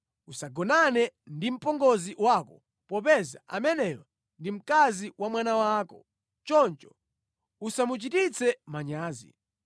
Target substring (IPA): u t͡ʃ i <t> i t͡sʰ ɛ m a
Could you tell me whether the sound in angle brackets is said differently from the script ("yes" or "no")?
no